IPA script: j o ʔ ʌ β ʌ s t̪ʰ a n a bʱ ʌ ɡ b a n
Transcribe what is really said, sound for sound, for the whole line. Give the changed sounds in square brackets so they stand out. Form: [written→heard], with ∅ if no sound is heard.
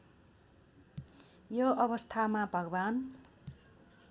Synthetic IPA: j o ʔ ʌ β ʌ s t̪ʰ a [n→m] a bʱ ʌ ɡ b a n

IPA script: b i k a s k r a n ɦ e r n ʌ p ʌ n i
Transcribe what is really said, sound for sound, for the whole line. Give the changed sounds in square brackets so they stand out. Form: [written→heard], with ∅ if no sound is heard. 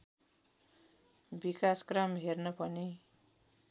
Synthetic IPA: b i k a s k r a [n→m] ɦ e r n ʌ p ʌ n i

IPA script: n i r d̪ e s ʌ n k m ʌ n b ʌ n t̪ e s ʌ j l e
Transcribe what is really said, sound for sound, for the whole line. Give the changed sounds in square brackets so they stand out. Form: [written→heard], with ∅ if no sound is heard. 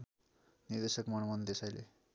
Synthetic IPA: n i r d̪ e s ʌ [n→∅] k m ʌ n [b→m] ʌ n [t̪→d̪] e s [ʌ→a] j l e

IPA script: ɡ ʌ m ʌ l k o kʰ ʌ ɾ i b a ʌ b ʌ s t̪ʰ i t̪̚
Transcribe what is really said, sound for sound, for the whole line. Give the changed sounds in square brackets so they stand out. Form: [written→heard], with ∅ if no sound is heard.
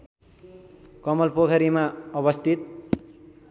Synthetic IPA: [ɡ→k] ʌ m ʌ l [k→p] o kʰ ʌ ɾ i [b→m] a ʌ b ʌ s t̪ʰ i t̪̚

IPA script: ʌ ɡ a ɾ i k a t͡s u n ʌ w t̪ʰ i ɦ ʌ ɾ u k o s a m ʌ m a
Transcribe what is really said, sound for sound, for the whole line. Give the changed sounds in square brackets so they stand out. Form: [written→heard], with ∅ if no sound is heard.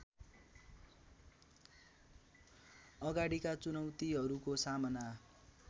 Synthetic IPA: ʌ ɡ a [ɾ→ɽ] i k a t͡s u n ʌ w [t̪ʰ→t̪] i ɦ ʌ ɾ u k o s a m ʌ [m→n] a

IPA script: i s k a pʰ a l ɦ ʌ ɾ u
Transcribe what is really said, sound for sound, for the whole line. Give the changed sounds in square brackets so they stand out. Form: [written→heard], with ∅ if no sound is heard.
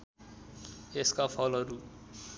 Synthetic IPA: [i→e] s k a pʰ [a→ʌ] l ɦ ʌ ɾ u

